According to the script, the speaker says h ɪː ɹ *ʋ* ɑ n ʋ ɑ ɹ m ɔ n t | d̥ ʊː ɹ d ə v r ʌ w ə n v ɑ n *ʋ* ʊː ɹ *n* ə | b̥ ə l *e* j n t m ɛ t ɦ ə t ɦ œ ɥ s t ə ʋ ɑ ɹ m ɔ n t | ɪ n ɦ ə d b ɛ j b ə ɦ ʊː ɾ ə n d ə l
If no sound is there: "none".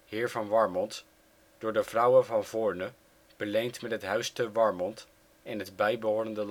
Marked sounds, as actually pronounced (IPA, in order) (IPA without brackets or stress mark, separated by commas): v, v, n, e